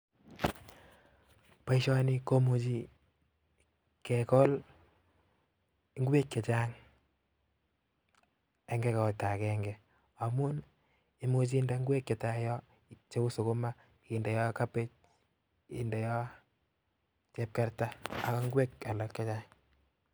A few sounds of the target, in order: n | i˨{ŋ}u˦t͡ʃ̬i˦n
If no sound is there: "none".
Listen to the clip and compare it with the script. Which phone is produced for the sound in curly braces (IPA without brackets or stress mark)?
m